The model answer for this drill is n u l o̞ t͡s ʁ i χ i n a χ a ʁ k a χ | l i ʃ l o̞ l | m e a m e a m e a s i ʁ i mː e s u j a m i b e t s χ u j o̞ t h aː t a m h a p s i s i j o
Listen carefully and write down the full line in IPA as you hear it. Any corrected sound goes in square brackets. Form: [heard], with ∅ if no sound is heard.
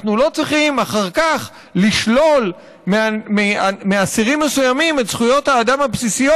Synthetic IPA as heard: n u l o̞ t͡s ʁ i χ i [m] a χ a ʁ k a χ | l i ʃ l o̞ l | m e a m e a m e a s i ʁ i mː e s u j a m i [m] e t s χ u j o̞ t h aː [d] a m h a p s i s i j o